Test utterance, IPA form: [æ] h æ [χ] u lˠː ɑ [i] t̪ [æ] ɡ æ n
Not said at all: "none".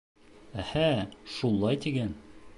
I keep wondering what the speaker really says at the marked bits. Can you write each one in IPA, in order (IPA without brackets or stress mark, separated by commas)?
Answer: æ, ʃ, j, i